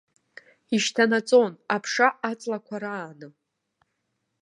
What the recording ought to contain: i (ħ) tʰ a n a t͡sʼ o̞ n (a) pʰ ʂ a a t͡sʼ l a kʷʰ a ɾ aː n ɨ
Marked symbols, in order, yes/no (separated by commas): no, yes